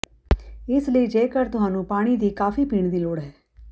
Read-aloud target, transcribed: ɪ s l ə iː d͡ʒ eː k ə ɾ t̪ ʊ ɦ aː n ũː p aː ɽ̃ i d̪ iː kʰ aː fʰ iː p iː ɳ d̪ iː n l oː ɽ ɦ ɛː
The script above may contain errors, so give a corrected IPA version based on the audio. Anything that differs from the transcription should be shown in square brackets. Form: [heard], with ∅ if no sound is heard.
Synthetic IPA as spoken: ɪ s l ə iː d͡ʒ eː k ə ɾ t̪ ʊ ɦ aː n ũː p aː ɽ̃ i d̪ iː [k] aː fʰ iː p iː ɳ d̪ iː [∅] l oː ɽ ɦ ɛː